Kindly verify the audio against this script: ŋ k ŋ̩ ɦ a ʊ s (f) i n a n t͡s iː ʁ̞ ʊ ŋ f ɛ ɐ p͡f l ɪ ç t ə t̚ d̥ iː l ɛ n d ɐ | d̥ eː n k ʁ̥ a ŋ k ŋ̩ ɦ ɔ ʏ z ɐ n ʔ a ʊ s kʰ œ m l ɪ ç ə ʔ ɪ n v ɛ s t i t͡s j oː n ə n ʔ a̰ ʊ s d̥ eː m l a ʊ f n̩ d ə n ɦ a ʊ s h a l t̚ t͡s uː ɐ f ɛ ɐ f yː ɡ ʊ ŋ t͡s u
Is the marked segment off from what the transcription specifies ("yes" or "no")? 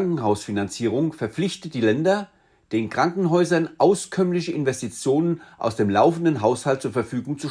no